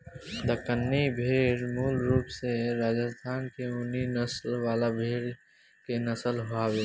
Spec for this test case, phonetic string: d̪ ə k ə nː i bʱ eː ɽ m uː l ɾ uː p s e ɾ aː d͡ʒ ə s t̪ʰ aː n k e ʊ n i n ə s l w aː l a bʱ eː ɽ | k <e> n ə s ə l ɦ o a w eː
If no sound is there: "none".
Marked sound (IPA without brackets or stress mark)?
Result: e